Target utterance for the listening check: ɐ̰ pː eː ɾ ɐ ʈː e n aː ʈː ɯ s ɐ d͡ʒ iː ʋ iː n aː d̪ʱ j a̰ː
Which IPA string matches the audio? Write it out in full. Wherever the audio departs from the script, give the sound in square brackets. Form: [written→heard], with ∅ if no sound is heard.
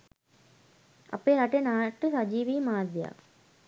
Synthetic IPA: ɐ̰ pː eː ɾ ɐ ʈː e n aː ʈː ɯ s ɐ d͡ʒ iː ʋ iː [n→m] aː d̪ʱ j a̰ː